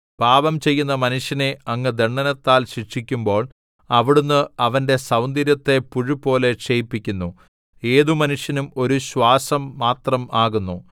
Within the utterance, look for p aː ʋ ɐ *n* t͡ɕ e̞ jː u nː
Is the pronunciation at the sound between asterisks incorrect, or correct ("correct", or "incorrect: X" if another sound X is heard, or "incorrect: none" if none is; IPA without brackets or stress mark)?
incorrect: m